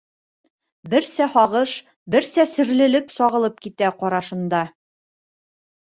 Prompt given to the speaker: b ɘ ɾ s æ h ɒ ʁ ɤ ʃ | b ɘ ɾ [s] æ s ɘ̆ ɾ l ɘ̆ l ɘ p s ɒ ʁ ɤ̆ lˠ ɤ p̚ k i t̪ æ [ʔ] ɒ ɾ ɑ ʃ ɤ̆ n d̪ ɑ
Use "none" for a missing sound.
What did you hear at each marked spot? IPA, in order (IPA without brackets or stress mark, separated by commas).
s, q